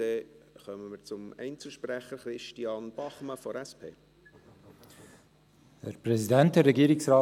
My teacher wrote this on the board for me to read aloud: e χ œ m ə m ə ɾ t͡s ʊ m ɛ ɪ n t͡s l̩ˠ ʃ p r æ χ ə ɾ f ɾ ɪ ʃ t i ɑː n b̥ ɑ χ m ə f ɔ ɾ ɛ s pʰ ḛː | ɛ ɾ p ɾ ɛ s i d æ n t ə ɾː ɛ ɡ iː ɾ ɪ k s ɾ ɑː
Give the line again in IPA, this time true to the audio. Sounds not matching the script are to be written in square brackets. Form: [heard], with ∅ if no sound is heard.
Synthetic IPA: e χ œ m ə m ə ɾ t͡s ʊ m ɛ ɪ n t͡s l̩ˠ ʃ p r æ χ ə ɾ [χ] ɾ ɪ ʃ t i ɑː n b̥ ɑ χ m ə f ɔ ɾ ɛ s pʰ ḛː | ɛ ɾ p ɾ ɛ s i d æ n t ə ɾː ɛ ɡ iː ɾ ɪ k s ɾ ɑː